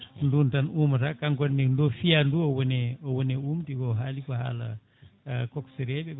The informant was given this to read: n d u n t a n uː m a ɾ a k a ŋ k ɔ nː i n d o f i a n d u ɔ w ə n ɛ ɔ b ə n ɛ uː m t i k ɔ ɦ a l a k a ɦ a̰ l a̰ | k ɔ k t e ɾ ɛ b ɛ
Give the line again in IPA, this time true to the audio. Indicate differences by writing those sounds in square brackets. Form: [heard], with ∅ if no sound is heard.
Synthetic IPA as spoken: n d u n t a n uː m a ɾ a k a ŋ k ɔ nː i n d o f i a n d u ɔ w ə n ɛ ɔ [w] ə n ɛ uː m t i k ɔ ɦ a l [i] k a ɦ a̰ l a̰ | k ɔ k [s] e ɾ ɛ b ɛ